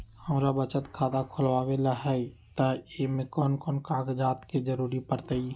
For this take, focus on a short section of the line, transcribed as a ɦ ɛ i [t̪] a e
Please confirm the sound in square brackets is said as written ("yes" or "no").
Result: yes